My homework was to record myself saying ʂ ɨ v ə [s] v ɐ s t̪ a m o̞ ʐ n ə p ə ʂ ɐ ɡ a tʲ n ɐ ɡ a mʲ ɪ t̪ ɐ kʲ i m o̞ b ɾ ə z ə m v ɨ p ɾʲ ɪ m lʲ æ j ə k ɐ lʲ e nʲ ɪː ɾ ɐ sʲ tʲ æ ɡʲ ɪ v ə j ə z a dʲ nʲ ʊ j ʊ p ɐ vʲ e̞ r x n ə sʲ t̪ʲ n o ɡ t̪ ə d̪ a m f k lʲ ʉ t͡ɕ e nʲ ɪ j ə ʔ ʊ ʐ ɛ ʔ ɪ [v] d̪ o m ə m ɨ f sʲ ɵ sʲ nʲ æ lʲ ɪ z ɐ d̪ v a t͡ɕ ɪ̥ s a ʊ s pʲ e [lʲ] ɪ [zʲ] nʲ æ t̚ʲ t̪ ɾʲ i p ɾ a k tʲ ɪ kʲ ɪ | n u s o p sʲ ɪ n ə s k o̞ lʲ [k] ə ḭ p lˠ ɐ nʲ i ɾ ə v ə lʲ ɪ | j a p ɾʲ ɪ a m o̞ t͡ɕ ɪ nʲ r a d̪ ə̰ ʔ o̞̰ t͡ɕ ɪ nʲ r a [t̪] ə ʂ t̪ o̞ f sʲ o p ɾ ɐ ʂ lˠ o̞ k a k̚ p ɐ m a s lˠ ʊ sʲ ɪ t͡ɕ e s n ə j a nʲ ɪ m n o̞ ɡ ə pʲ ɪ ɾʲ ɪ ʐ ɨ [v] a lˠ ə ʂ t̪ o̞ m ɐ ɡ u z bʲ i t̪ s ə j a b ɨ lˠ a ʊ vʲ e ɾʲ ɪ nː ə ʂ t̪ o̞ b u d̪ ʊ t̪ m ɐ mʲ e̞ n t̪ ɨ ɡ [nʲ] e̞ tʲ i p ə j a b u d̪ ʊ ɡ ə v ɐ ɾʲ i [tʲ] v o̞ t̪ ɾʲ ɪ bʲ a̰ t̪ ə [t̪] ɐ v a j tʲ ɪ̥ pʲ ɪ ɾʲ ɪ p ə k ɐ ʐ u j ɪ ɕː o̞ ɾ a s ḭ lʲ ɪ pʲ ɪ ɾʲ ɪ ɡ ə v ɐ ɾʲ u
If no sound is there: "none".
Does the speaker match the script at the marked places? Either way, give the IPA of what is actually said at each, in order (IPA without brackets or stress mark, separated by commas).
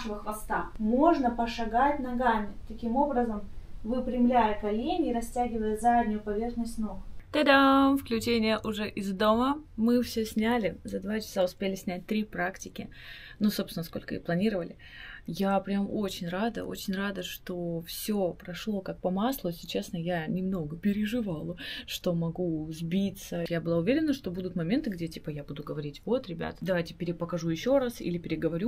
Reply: x, z, lʲ, sʲ, k, d̪, v, dʲ, tʲ, d̪